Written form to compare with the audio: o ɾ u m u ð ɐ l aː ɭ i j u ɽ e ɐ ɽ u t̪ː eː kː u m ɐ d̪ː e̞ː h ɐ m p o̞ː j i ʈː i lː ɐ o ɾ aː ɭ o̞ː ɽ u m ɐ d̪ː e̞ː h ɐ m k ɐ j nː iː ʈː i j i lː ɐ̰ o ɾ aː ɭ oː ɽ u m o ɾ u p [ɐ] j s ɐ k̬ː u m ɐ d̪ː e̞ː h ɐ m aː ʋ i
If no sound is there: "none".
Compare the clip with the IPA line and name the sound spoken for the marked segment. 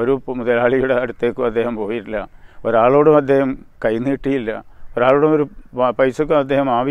ɐ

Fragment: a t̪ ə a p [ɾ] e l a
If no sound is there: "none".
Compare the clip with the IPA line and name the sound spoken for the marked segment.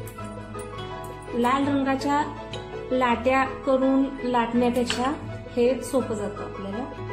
l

